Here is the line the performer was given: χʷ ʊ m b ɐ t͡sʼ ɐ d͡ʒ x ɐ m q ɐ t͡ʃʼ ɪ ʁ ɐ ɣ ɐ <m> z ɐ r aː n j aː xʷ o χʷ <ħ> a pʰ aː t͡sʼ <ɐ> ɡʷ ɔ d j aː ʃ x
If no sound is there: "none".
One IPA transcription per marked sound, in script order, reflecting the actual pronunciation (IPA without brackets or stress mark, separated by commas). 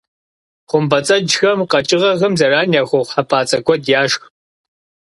m, ħ, ɐ